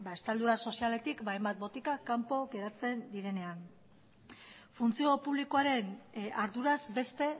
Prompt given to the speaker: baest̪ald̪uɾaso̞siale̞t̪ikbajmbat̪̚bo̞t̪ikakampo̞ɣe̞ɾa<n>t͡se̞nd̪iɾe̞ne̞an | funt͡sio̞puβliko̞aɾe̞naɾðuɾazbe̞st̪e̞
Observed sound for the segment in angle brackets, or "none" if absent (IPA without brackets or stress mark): none